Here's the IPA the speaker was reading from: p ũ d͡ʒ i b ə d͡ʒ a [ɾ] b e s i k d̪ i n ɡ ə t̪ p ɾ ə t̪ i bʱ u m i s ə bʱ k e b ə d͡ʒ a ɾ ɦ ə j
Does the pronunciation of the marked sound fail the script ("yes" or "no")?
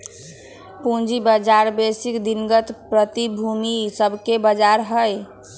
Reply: no